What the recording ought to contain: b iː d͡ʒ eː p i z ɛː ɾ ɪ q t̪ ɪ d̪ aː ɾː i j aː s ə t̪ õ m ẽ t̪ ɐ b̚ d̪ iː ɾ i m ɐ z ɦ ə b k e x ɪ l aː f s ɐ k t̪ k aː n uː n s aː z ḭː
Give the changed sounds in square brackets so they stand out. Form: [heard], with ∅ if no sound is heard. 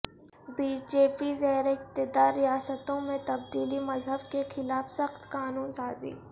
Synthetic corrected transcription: b iː d͡ʒ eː p i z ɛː ɾ ɪ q t̪ ɪ d̪ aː ɾː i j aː s ə t̪ õ m ẽ t̪ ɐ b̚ d̪ iː [l] i m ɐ z ɦ ə b k e x ɪ l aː f s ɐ [x] t̪ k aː n uː n s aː z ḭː